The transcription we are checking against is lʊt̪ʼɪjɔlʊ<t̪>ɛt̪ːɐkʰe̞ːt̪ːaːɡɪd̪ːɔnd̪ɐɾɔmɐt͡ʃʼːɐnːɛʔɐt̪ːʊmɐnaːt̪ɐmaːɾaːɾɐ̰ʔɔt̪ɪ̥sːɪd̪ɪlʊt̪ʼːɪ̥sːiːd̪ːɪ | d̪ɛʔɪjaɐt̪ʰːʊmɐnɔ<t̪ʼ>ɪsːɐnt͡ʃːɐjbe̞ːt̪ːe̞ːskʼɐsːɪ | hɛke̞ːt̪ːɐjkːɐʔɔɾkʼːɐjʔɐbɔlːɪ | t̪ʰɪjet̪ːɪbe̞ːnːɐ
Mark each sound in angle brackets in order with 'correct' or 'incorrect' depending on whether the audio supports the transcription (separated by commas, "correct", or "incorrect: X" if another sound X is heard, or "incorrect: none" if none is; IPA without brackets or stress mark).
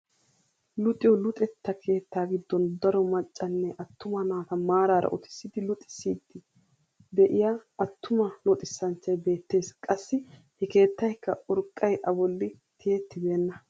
incorrect: t̪ʼ, correct